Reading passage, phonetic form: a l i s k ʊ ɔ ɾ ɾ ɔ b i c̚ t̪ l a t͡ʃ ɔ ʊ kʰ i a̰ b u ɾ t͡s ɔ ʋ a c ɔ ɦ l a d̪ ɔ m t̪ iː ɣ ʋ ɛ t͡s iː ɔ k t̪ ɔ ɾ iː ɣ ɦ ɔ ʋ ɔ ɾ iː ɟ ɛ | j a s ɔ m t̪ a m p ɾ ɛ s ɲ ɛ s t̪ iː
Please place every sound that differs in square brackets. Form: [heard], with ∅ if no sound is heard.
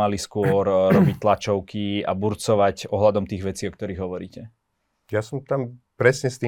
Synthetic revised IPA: a l i s k ʊ ɔ ɾ ɾ ɔ b i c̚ t̪ l a t͡ʃ ɔ ʊ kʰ i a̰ b u ɾ t͡s ɔ ʋ a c ɔ ɦ l a d̪ ɔ m t̪ iː ɣ ʋ ɛ t͡s iː ɔ k t̪ ɔ ɾ iː ɣ ɦ ɔ ʋ ɔ ɾ iː [c] ɛ | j a s ɔ m t̪ a m p ɾ ɛ s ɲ ɛ s t̪ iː